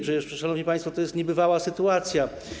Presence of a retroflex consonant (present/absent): present